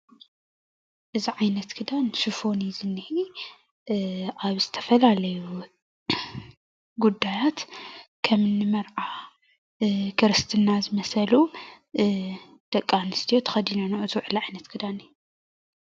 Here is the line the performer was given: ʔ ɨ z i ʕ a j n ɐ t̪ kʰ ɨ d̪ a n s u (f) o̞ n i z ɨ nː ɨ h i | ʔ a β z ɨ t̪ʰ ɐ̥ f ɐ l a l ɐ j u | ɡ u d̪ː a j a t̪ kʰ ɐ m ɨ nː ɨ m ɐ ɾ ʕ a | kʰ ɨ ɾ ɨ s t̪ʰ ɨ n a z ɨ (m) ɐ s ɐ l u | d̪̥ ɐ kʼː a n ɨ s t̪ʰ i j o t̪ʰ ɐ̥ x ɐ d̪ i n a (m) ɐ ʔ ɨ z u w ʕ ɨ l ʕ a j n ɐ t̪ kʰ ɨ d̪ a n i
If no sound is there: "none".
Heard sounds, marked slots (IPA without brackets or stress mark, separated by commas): f, m, n